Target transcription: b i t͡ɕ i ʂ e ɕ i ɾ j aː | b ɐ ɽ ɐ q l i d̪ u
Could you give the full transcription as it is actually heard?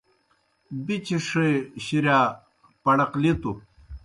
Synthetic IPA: b i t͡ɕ i ʂ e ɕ i ɾ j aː | p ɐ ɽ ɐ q l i t̪ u